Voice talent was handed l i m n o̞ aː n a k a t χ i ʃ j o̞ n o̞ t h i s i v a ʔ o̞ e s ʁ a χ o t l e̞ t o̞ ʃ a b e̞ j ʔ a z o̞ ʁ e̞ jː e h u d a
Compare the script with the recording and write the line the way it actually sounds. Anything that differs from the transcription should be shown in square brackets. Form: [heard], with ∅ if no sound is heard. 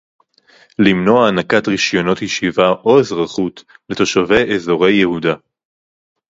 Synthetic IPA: l i m n o̞ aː n a k a t [ʁ] i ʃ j o̞ n o̞ t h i [ʃ] i v a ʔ o̞ e [z] ʁ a χ [u] t l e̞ t o̞ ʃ a [v] e̞ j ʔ [e] z o̞ ʁ e̞ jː e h u d a